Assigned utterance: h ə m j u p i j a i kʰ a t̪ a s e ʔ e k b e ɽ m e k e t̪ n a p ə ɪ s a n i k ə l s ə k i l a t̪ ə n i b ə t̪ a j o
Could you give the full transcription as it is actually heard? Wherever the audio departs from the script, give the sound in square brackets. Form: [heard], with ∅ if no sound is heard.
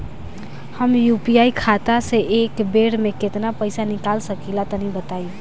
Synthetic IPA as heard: h ə m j u p i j a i kʰ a t̪ a s e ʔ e k b e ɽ m e k e t̪ n a p ə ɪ s a n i k [a] l s ə k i l a t̪ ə n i b ə t̪ a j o